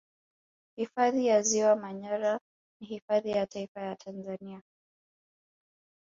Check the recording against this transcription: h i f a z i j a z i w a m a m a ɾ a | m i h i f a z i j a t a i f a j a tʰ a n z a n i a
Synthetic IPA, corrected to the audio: h i f a ð i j a z i w a m a ɲ a ɾ a | n i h i f a ð i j a t a i f a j a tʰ a n z a n i a